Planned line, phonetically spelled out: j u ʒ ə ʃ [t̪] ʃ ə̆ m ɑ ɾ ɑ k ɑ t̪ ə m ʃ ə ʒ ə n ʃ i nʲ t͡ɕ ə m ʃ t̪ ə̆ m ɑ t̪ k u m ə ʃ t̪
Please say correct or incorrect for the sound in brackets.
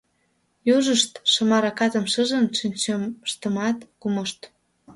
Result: correct